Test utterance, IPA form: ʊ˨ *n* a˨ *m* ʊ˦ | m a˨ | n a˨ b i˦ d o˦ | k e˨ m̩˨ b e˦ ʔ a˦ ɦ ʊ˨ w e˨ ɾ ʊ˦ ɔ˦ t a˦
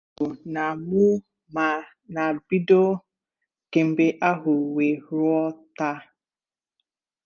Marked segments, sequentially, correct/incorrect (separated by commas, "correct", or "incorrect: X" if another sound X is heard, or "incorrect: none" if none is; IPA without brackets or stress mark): correct, correct